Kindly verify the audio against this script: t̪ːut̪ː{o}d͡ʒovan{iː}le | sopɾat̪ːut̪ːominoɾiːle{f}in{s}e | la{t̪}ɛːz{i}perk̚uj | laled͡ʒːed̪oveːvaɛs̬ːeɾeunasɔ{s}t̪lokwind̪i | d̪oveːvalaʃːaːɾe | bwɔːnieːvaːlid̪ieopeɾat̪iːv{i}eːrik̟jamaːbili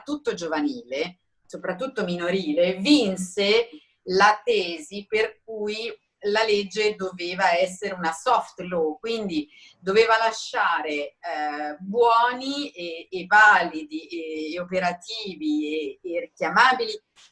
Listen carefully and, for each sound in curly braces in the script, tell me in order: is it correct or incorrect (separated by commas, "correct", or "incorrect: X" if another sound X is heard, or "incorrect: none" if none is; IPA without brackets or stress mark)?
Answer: correct, correct, incorrect: v, correct, correct, correct, incorrect: f, correct